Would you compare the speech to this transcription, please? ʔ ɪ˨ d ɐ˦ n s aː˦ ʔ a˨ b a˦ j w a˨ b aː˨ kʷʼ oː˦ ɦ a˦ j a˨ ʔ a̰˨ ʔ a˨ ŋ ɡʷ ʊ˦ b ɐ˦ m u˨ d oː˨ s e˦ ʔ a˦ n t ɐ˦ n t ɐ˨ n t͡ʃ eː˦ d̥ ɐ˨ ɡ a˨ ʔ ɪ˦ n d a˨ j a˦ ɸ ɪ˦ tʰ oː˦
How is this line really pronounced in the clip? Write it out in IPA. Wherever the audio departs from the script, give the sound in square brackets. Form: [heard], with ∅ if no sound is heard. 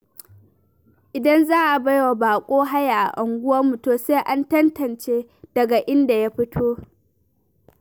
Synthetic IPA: ʔ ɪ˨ d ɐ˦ n [z] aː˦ ʔ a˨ b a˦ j w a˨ b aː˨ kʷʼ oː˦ ɦ a˦ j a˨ ʔ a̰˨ ʔ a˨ ŋ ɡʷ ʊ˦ [w] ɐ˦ m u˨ [t] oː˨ s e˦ ʔ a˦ n t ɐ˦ n t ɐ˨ n t͡ʃ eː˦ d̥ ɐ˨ ɡ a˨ ʔ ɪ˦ n d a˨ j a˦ ɸ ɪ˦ tʰ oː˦